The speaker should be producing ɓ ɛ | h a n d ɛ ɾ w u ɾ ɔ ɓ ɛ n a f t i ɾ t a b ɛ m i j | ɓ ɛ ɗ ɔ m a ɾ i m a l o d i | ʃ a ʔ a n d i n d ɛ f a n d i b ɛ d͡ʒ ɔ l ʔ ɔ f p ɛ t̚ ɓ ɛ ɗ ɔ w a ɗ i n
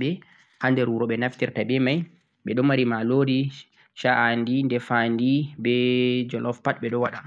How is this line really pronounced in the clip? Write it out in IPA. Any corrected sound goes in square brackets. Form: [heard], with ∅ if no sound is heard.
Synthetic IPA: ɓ ɛ | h a n d ɛ ɾ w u ɾ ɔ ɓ ɛ n a f t i ɾ t a b ɛ m [a] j | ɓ ɛ ɗ ɔ m a ɾ i m a l o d i | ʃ a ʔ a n d i n d ɛ f a n d i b ɛ d͡ʒ ɔ l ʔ ɔ f p [a] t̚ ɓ ɛ ɗ ɔ w a ɗ [a] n